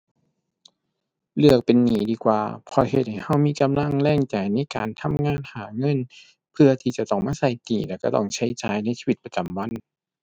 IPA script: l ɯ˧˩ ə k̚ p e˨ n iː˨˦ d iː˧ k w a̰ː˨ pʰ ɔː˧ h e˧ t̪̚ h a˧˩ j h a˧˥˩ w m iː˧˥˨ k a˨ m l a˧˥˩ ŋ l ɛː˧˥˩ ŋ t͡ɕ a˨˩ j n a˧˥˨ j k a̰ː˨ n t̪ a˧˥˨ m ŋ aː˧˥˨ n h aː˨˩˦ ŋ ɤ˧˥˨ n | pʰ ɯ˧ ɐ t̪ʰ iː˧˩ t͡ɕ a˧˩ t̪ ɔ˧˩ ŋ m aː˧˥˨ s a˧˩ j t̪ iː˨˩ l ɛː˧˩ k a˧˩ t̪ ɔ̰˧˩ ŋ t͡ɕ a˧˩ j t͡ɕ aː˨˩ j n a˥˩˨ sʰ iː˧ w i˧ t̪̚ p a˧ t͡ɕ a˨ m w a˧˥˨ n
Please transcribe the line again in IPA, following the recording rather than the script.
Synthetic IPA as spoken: l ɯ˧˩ ə k̚ p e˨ nː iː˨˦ d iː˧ k w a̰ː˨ pʰ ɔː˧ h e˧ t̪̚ h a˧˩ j h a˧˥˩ w m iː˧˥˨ k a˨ m l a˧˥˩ ŋ l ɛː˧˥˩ ŋ t͡ɕ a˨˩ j n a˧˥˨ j k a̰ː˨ n t̪ʰ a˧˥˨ m ŋ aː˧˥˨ n h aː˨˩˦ ŋ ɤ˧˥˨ n | pʰ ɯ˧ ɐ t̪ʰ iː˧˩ t͡ɕ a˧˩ t̪ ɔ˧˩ ŋ m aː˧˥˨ s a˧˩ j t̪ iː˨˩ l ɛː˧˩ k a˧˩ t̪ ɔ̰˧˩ ŋ t͡ɕʰ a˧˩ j t͡ɕ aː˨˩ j n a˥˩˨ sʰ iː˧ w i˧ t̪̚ p a˧ t͡ɕ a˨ m w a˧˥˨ n

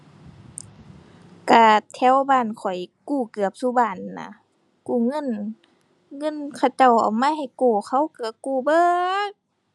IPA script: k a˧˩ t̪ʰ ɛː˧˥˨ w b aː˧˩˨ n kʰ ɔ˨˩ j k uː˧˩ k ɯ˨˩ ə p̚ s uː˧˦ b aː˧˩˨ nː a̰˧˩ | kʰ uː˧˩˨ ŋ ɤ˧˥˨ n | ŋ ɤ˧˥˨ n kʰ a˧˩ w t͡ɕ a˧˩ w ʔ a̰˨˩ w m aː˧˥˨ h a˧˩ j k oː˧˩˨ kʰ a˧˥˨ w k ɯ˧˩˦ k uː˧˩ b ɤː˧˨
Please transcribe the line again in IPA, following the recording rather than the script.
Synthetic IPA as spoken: k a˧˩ t̪ʰ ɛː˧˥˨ w b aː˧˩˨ n kʰ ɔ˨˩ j k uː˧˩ k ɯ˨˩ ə p̚ s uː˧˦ b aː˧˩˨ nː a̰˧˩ | k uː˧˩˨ ŋ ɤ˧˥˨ n | ŋ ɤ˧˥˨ n kʰ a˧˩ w t͡ɕ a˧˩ w ʔ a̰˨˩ w m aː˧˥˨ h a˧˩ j k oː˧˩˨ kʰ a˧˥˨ w k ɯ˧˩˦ k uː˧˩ b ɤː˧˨

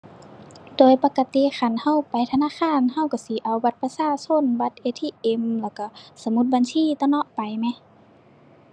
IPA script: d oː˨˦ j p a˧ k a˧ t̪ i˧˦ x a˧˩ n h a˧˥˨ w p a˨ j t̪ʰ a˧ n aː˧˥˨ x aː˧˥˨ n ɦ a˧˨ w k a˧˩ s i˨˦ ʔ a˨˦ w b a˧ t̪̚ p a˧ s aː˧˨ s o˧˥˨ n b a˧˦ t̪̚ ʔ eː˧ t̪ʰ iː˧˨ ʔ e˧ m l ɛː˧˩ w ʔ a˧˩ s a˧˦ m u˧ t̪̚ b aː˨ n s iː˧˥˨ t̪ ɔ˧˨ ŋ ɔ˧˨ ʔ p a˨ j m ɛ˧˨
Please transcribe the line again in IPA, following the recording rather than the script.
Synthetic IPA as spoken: d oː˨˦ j p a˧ k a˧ t̪ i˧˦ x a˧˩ n h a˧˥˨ w p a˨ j t̪ʰ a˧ n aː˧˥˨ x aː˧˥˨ n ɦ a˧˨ w k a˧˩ s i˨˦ ʔ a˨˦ w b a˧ t̪̚ p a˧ s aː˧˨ s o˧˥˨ n b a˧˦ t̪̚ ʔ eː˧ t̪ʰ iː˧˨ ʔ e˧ m l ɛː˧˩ w k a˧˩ s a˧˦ m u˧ t̪̚ b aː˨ n s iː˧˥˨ t̪ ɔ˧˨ n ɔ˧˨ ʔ p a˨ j m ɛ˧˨

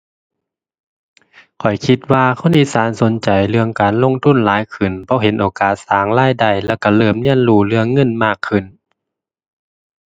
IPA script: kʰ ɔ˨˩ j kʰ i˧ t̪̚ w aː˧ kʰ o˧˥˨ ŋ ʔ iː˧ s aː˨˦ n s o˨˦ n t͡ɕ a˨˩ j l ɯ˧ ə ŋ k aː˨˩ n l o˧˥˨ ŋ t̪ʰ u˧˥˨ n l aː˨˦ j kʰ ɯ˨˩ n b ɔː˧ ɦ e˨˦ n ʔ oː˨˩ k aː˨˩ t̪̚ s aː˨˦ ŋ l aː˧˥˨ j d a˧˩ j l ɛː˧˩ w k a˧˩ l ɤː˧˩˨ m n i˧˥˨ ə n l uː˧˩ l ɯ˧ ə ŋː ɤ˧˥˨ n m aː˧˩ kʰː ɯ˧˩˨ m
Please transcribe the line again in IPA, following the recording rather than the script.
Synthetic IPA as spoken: kʰ ɔ˨˩ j kʰ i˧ t̪̚ w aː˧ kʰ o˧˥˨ n ʔ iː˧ s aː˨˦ n s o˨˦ n t͡ɕ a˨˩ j l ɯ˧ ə ŋ k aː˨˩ n l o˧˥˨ ŋ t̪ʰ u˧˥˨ n l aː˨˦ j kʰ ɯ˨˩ n b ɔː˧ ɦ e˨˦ n ʔ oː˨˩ k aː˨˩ t̪̚ s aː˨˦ ŋ l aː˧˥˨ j d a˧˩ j l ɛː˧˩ w k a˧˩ l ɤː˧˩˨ m n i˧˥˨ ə n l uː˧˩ l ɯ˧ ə ŋː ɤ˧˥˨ n m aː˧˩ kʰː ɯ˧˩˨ n

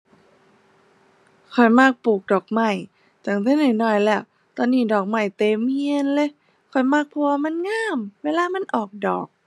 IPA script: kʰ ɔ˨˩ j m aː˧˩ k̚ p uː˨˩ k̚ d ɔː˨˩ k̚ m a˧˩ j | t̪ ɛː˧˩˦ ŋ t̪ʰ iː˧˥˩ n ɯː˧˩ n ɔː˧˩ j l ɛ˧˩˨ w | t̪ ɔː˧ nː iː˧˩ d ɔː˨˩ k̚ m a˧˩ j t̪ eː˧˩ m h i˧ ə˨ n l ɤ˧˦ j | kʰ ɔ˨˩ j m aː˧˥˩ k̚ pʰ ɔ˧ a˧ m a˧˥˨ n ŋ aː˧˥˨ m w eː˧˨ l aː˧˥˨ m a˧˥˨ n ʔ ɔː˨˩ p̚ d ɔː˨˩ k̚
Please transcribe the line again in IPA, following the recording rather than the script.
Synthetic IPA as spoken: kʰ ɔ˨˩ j m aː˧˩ k̚ p uː˨˩ k̚ d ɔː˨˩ k̚ m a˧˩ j | t̪ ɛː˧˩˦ ŋ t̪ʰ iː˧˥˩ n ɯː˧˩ n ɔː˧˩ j l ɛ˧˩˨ w | t̪ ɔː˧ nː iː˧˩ d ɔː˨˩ k̚ m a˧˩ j t̪ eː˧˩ m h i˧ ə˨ n l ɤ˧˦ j | kʰ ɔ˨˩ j m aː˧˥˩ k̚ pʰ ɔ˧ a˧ m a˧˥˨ n ŋ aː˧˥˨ m w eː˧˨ l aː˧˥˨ m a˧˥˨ n ʔ ɔː˨˩ k̚ d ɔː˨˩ k̚

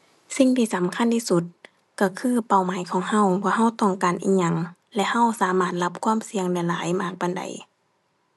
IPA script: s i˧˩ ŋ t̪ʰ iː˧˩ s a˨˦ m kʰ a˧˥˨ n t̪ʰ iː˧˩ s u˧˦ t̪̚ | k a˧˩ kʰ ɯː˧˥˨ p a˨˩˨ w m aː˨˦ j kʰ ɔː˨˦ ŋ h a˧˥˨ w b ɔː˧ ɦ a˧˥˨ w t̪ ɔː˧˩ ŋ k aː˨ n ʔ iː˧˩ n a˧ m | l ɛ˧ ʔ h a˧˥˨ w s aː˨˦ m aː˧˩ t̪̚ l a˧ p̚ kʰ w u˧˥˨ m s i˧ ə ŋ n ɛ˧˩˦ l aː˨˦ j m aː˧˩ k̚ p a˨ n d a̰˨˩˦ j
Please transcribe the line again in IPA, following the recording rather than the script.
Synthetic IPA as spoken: s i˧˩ ŋ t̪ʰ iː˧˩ s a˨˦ m kʰ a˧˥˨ n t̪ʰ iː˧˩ s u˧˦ t̪̚ | k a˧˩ kʰ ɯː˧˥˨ p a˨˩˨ w m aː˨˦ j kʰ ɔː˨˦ ŋ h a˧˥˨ w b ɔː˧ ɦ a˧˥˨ w t̪ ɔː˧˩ ŋ k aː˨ n ʔ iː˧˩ ɲ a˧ ŋ | l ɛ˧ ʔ h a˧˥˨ w s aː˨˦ m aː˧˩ t̪̚ l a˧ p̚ kʰ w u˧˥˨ m s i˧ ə ŋ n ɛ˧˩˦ l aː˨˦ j m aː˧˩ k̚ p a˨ n d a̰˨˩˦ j

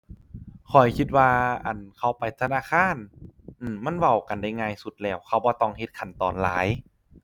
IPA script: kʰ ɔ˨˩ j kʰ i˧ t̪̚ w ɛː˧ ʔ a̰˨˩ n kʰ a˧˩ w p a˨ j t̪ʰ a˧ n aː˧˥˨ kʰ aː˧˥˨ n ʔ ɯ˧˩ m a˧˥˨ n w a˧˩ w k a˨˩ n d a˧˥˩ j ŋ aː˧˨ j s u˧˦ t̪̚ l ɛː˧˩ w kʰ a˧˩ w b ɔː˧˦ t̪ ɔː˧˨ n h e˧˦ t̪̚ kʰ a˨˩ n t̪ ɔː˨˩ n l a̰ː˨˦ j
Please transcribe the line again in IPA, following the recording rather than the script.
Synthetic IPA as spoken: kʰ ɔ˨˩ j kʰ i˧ t̪̚ w aː˧ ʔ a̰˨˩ n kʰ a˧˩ w p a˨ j t̪ʰ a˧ n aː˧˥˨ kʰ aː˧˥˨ n ʔ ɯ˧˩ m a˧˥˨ n w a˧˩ w k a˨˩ n d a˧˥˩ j ŋ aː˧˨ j s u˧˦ t̪̚ l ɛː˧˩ w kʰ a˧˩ w b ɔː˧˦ t̪ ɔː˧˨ ŋ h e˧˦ t̪̚ kʰ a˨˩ n t̪ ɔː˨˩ n l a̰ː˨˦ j

